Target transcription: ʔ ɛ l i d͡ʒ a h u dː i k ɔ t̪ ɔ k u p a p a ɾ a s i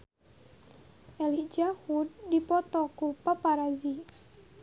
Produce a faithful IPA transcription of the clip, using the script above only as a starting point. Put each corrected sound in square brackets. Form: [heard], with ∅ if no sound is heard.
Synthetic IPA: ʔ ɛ l i d͡ʒ a h u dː i [p] ɔ t̪ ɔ k u p a p a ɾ a [z] i